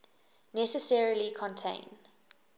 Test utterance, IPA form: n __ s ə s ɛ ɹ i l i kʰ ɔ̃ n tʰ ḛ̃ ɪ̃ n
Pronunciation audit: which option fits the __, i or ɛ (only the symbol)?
ɛ